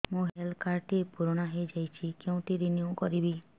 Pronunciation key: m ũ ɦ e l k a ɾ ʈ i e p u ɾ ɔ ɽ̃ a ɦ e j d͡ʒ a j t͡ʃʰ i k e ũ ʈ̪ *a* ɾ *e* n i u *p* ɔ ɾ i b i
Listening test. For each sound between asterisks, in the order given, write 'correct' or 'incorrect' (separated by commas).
incorrect, incorrect, incorrect